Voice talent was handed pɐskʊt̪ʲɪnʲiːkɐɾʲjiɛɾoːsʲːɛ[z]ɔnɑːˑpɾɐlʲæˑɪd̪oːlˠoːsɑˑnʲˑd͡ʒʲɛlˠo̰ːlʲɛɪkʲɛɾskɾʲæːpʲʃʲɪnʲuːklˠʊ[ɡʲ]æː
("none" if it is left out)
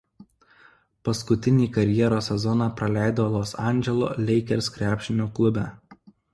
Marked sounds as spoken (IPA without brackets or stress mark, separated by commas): z, bʲ